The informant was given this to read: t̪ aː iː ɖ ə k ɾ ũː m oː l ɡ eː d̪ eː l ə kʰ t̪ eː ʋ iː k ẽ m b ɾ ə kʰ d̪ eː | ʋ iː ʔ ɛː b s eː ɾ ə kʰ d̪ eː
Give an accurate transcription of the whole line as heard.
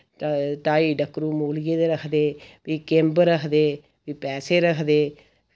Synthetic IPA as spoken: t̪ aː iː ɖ ə k ɾ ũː m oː l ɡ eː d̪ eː ɾ ə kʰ d̪ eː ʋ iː k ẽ m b ɾ ə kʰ d̪ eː | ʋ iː p ɛː s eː ɾ ə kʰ d̪ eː